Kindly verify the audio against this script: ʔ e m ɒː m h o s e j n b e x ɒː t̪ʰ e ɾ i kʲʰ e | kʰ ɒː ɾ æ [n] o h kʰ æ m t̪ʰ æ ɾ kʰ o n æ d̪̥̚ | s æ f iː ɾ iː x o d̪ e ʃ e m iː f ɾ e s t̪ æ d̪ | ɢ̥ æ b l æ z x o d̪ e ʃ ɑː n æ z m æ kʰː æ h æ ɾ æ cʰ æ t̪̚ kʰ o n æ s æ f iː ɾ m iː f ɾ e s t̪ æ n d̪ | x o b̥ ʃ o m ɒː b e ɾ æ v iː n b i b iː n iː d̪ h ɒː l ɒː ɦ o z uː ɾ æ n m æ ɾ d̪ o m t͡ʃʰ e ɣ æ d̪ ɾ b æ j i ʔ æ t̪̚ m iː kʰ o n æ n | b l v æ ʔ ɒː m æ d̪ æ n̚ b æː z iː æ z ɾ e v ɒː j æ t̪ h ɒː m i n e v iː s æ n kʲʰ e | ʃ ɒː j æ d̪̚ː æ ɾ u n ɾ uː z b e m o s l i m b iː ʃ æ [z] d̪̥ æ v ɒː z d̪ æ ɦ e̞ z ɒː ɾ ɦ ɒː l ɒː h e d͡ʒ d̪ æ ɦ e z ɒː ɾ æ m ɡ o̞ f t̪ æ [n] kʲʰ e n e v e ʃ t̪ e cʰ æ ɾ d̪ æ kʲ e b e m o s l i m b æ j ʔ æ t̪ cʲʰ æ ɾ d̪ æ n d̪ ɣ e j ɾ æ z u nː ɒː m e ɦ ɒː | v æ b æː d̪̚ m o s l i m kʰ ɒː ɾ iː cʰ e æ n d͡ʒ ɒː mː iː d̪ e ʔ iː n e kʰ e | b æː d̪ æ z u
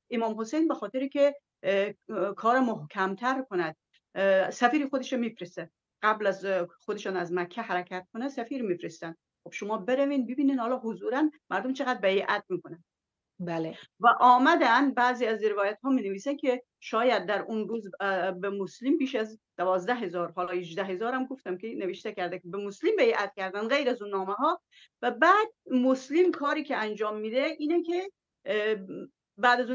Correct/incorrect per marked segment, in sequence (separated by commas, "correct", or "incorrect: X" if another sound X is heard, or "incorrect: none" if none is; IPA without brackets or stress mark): incorrect: m, correct, incorrect: m